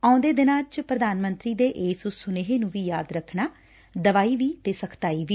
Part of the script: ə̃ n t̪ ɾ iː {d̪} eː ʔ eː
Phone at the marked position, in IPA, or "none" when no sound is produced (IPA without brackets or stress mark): d̪